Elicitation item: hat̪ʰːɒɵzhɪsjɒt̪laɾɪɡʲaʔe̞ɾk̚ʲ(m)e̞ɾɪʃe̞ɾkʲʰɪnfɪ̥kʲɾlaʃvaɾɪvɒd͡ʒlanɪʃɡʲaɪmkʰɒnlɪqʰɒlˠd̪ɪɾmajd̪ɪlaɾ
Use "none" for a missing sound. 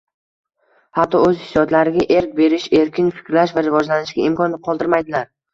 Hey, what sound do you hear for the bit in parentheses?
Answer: b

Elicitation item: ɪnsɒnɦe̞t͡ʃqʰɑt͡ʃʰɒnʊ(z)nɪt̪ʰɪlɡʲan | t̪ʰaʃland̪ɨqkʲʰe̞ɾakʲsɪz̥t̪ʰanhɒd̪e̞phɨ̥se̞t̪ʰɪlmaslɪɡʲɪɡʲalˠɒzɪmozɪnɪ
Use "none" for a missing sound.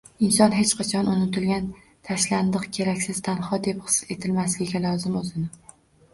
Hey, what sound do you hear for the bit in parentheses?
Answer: none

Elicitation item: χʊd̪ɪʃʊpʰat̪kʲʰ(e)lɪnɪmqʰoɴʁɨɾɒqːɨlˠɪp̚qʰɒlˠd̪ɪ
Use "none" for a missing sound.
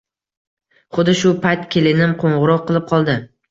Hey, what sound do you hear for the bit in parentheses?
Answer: e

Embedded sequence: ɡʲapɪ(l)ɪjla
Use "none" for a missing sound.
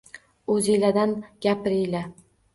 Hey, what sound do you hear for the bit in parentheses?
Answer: ɾ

